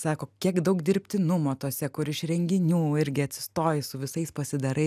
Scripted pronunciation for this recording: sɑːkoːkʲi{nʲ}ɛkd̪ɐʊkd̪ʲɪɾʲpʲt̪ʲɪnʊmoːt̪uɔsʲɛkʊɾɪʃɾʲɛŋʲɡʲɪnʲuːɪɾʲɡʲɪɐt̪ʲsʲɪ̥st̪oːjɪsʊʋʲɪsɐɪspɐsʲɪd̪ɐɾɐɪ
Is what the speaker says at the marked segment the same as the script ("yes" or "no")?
no